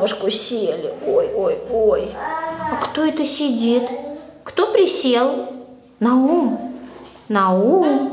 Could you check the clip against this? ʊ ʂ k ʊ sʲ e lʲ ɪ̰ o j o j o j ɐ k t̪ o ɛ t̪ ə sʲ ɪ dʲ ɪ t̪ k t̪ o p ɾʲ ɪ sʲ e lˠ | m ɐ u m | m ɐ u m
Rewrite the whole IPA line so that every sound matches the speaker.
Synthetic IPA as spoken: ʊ ʂ k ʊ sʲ e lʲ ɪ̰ o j o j o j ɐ k t̪ o ɛ t̪ ə sʲ ɪ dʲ i t̪ k t̪ o p ɾʲ ɪ sʲ e lˠ | n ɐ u m | n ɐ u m